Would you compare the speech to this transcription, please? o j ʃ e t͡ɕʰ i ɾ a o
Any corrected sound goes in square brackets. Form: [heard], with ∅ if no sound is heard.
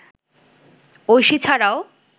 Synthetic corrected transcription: o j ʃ [i] t͡ɕʰ [a] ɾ a o